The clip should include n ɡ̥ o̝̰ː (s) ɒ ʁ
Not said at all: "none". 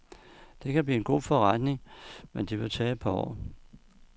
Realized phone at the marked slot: f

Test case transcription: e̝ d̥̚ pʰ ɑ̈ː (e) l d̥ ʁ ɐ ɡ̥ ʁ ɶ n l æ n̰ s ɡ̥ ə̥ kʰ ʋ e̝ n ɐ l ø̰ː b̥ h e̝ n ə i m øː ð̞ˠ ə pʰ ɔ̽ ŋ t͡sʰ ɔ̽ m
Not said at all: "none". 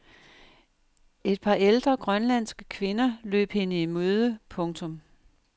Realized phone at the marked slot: e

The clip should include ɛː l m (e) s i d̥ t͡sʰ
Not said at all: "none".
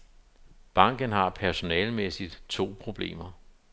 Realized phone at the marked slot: e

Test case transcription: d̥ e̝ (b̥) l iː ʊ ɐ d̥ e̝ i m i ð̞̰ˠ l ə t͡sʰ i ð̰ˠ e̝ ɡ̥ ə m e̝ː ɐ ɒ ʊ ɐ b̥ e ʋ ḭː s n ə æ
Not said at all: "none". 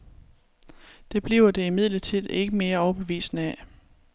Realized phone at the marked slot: b̥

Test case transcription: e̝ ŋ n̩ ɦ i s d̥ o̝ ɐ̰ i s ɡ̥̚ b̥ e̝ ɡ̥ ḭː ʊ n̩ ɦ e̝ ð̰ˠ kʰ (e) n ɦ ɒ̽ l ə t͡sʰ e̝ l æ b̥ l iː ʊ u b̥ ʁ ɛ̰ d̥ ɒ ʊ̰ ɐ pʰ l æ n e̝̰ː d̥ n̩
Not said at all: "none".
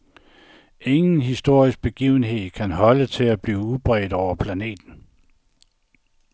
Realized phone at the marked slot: æ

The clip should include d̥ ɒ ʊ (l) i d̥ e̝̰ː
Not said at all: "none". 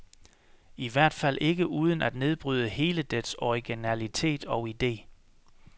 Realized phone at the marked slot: none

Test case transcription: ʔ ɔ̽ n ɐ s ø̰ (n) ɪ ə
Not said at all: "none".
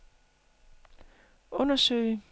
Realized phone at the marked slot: none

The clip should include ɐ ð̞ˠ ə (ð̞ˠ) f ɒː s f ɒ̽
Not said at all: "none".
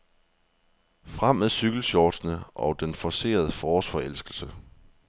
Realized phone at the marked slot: none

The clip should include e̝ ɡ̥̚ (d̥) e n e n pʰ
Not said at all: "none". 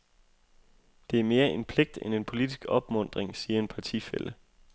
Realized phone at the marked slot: d̥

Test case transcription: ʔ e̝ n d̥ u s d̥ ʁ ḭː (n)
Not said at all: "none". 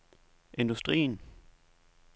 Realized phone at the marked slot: n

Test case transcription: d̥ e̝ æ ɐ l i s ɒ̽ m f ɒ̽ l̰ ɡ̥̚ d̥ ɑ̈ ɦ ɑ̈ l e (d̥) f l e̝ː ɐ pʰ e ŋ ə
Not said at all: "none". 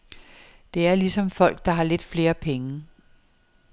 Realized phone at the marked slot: d̥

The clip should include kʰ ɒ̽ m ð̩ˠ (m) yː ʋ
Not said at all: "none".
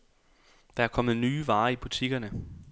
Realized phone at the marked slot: n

